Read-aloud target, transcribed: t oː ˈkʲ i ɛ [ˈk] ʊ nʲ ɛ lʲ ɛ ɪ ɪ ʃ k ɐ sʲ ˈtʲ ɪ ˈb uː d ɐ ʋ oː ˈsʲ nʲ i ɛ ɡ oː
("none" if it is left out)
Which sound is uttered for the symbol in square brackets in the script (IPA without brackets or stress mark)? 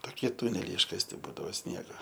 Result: t